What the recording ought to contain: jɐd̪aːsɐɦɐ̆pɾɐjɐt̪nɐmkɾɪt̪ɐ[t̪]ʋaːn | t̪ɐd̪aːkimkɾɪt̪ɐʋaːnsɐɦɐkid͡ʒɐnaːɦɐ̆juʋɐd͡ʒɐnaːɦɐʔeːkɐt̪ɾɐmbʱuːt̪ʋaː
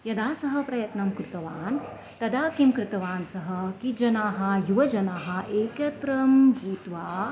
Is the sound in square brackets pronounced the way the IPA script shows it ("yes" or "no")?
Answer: no